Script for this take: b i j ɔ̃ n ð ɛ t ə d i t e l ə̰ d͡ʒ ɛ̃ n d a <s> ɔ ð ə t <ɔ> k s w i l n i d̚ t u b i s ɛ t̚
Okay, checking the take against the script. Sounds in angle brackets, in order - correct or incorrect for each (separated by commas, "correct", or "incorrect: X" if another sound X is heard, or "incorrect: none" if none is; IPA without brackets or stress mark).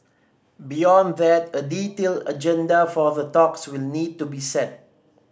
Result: incorrect: f, correct